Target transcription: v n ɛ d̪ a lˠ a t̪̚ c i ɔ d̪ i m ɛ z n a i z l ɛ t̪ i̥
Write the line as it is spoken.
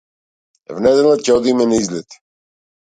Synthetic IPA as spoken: v n ɛ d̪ ɛ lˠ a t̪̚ c ɛ ɔ d̪ i m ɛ n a i z l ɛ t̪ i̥